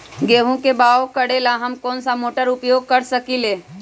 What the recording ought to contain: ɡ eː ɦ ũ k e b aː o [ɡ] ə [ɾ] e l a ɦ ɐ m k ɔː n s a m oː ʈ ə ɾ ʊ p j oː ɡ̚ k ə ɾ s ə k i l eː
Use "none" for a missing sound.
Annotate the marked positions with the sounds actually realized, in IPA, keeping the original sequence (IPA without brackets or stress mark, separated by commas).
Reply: k, ɽ